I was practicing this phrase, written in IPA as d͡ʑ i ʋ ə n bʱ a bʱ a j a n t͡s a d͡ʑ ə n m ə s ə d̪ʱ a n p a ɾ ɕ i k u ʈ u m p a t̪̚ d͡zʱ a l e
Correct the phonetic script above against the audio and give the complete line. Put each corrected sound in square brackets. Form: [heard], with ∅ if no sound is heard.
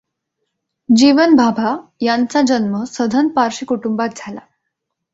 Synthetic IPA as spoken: d͡ʑ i ʋ ə n bʱ a bʱ a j a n t͡s a d͡ʑ ə n m ə s ə d̪ʱ [ə] n p a ɾ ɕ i k u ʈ u m [b] a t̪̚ d͡zʱ a l [a]

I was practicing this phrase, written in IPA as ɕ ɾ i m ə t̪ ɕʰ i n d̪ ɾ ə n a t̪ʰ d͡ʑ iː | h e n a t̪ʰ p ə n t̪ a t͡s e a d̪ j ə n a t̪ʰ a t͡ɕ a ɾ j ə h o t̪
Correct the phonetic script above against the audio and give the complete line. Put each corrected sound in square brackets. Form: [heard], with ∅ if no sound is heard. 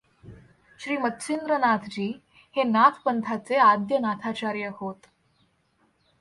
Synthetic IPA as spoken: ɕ ɾ [iː] m ə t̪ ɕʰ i n d̪ ɾ ə n a t̪ʰ d͡ʑ iː | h e n a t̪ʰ p ə n [t̪ʰ] a t͡s e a d̪ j ə n a t̪ʰ a t͡ɕ a ɾ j ə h o t̪

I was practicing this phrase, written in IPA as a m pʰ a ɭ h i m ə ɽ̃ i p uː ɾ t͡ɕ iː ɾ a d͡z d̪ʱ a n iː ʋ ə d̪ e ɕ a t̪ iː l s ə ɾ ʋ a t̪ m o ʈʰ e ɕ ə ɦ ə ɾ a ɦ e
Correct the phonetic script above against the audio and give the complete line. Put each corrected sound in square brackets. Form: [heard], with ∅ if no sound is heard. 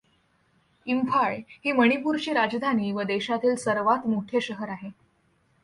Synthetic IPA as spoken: [i] m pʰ a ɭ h [iː] m ə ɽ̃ i p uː ɾ t͡ɕ iː ɾ a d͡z d̪ʱ a n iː ʋ ə d̪ e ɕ a t̪ iː l s ə ɾ ʋ a t̪ m o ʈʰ e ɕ ə ɦ ə ɾ a ɦ e

